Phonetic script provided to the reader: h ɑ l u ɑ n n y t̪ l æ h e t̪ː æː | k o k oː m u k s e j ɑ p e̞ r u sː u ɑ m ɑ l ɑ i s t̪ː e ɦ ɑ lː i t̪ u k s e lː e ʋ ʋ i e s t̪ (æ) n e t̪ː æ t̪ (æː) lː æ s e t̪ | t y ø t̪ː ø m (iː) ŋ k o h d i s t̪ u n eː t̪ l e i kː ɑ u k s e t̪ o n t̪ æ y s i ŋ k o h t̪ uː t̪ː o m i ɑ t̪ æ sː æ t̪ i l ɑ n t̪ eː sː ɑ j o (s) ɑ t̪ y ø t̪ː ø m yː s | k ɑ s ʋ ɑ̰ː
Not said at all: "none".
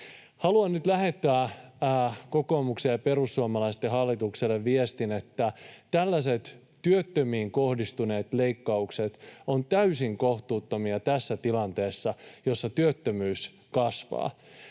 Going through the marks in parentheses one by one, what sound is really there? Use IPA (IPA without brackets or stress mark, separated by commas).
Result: i, æ, iː, sː